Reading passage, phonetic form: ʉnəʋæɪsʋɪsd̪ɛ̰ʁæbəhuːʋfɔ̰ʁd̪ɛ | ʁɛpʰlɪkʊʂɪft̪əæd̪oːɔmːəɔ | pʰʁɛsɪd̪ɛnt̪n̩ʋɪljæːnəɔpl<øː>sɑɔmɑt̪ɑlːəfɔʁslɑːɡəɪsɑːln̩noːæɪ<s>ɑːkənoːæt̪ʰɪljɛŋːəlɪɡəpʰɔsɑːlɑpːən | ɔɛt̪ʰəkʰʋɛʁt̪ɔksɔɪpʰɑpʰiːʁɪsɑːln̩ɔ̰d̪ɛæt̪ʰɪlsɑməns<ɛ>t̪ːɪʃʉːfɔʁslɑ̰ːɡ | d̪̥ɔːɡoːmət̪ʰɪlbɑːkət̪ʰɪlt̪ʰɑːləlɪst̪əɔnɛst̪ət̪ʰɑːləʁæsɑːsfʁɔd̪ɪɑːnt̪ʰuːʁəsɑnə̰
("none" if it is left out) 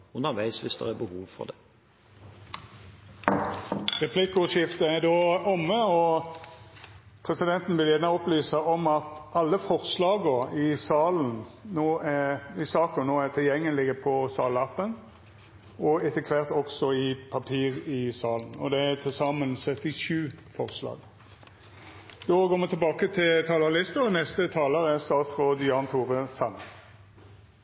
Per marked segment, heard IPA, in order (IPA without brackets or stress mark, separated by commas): yː, s, œ